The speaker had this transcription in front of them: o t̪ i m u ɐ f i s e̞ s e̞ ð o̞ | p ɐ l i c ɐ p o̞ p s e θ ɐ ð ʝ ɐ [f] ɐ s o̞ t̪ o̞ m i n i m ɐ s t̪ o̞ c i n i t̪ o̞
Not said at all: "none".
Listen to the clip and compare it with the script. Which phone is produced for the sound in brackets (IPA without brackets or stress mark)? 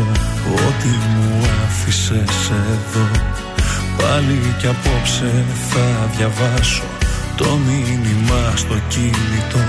v